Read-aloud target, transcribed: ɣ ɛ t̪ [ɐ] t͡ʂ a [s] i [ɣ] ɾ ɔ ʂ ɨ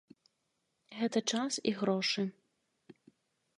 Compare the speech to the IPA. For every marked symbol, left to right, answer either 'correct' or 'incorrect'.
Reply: correct, correct, correct

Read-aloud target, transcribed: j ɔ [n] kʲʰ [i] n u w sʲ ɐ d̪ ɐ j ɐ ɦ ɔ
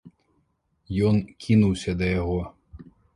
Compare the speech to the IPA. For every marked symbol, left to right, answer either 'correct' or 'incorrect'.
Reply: correct, correct

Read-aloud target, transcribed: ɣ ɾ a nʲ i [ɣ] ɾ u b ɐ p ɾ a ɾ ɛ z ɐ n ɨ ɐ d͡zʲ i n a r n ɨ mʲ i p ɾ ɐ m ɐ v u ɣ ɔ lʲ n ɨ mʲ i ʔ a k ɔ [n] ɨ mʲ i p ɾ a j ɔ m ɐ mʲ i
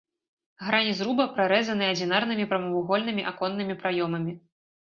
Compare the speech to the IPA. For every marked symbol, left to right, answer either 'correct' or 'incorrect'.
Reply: incorrect, incorrect

